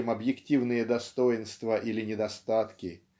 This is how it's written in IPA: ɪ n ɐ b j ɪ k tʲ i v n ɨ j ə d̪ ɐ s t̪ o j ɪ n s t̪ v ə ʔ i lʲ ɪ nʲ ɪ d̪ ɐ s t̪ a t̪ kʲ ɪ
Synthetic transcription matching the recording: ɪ m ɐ b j ɪ k tʲ i v n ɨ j ə d̪ ɐ s t̪ o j ɪ n s t̪ v ə ʔ i lʲ ɪ nʲ ɪ d̪ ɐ s t̪ a t̪ kʲ ɪ